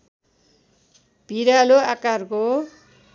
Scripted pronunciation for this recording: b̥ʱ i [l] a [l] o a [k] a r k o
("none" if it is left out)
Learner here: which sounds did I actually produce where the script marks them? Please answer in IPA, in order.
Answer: ɾ, l, k

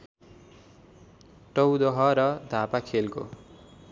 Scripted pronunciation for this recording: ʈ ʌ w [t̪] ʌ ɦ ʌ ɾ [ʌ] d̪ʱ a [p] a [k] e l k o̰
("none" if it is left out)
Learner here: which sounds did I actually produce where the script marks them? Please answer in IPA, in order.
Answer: d̪, ʌ, p, kʰ

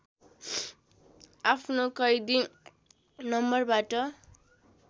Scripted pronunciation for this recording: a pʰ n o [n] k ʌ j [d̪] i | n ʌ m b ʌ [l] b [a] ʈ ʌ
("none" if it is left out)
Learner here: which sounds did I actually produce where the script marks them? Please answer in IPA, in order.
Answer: none, d̪, r, a

